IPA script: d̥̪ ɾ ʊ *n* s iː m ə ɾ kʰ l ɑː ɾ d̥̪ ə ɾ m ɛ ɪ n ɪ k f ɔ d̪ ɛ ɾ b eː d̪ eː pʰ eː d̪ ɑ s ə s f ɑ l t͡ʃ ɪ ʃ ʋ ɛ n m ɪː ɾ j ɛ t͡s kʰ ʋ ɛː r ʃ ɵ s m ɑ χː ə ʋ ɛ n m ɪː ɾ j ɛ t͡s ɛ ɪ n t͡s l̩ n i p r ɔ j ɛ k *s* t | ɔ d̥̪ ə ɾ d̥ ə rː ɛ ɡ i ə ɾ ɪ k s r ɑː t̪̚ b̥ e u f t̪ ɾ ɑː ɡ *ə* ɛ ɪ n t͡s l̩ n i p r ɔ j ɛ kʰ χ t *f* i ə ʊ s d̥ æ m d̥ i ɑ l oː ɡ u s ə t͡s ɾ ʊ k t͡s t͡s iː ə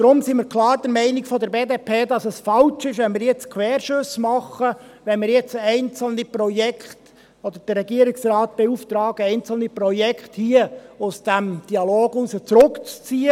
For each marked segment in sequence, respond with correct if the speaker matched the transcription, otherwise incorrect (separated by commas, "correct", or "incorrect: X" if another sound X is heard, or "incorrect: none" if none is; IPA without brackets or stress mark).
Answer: incorrect: m, incorrect: χ, correct, incorrect: h